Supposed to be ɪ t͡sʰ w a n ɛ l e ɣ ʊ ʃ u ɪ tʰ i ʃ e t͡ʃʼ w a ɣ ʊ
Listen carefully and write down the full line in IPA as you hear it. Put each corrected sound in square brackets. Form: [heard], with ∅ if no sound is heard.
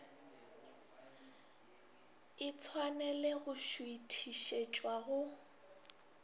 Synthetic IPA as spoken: ɪ t͡sʰ w a n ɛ l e ɣ ʊ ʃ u [i] tʰ i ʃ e t͡ʃʼ w a ɣ ʊ